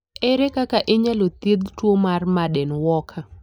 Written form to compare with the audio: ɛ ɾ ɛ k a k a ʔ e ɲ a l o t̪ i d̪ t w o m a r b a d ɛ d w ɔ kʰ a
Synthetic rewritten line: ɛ ɾ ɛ k a k a ʔ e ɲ a l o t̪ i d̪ t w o m a r m a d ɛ n w ɔ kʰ a